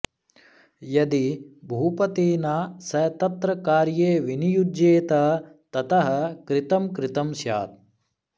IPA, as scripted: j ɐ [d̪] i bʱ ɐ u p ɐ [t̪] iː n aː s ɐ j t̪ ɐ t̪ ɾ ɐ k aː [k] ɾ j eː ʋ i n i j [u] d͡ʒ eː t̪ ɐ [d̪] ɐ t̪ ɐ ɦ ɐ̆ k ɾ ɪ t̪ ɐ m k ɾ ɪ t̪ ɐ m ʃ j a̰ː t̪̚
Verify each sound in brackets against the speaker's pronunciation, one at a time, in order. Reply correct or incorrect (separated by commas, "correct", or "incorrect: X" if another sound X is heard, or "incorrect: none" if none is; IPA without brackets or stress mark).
correct, correct, incorrect: none, correct, incorrect: t̪